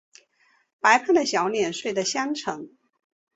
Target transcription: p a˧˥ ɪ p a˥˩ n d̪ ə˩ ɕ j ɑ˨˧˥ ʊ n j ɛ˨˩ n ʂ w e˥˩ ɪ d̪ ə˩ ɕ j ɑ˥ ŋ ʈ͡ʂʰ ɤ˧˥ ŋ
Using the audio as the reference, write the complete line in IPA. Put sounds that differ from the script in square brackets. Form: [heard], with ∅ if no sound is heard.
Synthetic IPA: p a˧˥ ɪ [pʰ] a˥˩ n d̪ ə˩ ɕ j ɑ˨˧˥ ʊ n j ɛ˨˩ n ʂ w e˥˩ ɪ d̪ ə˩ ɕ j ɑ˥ ŋ ʈ͡ʂʰ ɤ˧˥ ŋ